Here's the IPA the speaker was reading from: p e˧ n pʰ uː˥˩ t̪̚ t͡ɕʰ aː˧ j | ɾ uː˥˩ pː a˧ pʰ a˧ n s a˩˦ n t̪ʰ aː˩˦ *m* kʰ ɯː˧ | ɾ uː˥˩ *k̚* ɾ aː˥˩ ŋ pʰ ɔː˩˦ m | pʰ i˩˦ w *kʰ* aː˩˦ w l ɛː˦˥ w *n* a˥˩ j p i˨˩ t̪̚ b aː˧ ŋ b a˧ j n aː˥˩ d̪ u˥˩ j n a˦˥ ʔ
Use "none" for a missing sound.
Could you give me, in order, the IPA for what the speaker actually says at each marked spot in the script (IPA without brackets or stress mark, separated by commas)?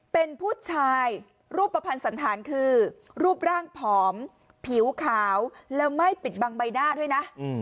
n, p̚, kʰ, m